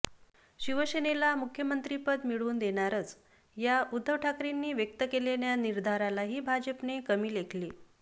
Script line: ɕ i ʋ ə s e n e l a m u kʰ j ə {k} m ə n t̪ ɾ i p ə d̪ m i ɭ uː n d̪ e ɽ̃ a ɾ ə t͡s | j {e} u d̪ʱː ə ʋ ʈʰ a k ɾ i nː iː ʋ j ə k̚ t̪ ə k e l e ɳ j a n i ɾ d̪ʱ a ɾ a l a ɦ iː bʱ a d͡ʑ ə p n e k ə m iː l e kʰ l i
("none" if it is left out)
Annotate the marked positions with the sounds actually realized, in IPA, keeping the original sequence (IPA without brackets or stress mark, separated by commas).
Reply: none, a